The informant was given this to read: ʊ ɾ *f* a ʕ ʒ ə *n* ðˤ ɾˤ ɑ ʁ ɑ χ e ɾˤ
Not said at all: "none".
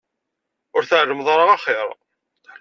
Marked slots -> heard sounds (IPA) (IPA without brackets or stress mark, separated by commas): θ, m